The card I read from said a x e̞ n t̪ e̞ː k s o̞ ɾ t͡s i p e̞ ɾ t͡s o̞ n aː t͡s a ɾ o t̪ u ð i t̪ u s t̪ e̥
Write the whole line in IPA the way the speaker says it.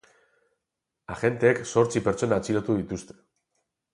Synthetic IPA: a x e̞ n t̪ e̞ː k s o̞ ɾ t͡s i p e̞ ɾ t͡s o̞ n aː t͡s i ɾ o t̪ u ð i t̪ u s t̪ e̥